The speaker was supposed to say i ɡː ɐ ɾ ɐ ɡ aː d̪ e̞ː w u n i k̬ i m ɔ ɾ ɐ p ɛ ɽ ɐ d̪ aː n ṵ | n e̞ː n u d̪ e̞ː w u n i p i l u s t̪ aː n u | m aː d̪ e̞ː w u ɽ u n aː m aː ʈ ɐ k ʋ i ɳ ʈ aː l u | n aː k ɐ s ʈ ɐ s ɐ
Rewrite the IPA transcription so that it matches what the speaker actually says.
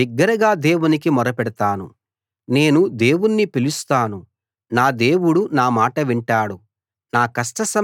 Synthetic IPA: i ɡː ɐ ɾ ɐ ɡ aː d̪ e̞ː w u n i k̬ i m ɔ ɾ ɐ p ɛ ɽ ɐ t̪ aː n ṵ | n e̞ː n u d̪ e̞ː w u nː i p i l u s t̪ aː n u | n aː d̪ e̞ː w u ɽ u n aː m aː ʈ ɐ ʋ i ɳ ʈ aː ɽ u | n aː k ɐ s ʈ ɐ s ɐ

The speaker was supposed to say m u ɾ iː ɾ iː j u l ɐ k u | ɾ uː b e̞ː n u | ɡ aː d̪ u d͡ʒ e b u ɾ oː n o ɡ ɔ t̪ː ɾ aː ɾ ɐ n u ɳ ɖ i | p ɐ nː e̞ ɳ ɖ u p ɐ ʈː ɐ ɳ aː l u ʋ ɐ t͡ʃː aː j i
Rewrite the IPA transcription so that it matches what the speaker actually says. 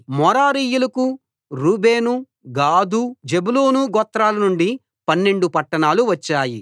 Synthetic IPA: m ɔ ɾ aː ɾ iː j u l ɐ k u | ɾ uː b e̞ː n u | ɡ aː d̪ u d͡ʒ e b u l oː n u ɡ ɔ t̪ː ɾ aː l ɐ n u ɳ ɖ i | p ɐ nː e̞ ɳ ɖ u p ɐ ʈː ɐ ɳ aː l u ʋ ɐ t͡ʃː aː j i

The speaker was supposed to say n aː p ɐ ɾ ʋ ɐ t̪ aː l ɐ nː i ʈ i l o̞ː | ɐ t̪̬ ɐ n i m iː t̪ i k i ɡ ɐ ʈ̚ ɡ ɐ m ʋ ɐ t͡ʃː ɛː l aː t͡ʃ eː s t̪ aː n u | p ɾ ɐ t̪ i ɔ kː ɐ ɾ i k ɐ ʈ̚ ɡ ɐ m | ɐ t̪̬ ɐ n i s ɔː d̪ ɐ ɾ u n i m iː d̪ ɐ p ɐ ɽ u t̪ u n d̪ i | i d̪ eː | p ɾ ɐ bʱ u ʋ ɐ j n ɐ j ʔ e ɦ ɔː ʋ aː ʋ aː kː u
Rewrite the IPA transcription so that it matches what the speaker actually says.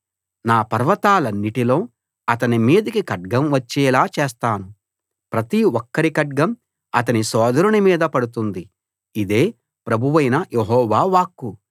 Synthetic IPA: n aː p ɐ ɾ ʋ ɐ t̪ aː l ɐ nː i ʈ i l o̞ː | ɐ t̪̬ ɐ n i m iː d̪ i k i k ɐ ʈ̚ ɡ ɐ m ʋ ɐ t͡ʃː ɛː l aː t͡ʃ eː s t̪ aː n u | p ɾ ɐ t̪ i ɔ kː ɐ ɾ i k ɐ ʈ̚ ɡ ɐ m | ɐ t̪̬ ɐ n i s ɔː d̪ ɐ ɾ u n i m iː d̪ ɐ p ɐ ɽ u t̪ u n d̪ i | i d̪ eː | p ɾ ɐ bʱ u ʋ ɐ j n ɐ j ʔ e ɦ ɔː ʋ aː ʋ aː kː u

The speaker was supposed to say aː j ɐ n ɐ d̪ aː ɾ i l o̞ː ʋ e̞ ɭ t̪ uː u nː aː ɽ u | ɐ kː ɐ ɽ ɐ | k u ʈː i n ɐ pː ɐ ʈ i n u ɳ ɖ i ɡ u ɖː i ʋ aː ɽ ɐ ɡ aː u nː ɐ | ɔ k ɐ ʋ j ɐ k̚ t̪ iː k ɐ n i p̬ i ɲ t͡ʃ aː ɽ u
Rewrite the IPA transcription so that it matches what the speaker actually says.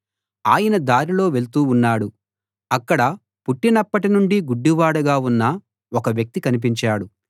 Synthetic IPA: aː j ɐ n ɐ d̪ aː ɾ i l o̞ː ʋ e̞ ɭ t̪ uː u nː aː ɽ u | ɐ kː ɐ ɽ ɐ | p u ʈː i n ɐ pː ɐ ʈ i n u ɳ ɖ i ɡ u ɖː i ʋ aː ɽ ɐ ɡ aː u nː ɐ | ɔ k ɐ ʋ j ɐ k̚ t̪ i k ɐ n i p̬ i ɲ t͡ʃ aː ɽ u

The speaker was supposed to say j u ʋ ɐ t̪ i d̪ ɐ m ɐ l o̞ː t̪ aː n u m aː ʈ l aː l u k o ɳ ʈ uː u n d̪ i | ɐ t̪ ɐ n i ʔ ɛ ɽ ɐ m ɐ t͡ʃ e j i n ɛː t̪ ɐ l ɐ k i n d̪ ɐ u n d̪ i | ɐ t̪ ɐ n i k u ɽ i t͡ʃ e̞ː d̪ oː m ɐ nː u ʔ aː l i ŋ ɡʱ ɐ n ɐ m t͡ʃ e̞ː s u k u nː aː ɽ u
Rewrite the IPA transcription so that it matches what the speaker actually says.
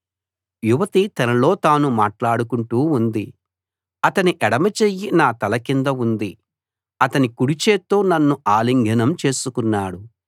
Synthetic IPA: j u ʋ ɐ t̪ i t̪ ɐ n ɐ l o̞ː t̪ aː n u m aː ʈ l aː ɽ u k u ɳ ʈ uː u n d̪ i | ɐ t̪ ɐ n i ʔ ɛ ɽ ɐ m ɐ t͡ʃ e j i n aː t̪ ɐ l ɐ k i n d̪ ɐ u n d̪ i | ɐ t̪ ɐ n i k u ɽ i t͡ʃ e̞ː t̪ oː n ɐ nː u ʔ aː l i ŋ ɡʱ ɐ n ɐ m t͡ʃ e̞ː s u k u nː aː ɽ u

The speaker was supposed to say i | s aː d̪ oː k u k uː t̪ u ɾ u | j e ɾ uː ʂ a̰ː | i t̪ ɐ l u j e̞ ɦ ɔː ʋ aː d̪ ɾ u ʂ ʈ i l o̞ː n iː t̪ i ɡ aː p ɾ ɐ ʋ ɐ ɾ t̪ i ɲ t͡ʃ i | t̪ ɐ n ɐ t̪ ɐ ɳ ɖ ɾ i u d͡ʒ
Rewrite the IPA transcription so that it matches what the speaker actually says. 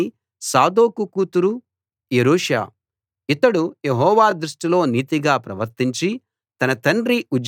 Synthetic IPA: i | s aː d̪ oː k u k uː t̪ u ɾ u | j e ɾ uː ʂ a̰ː | i t̪ ɐ ɽ u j e̞ ɦ ɔː ʋ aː d̪ ɾ u ʂ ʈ i l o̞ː n iː t̪ i ɡ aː p ɾ ɐ ʋ ɐ ɾ t̪ i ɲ t͡ʃ i | t̪ ɐ n ɐ t̪ ɐ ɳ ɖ ɾ i u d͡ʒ

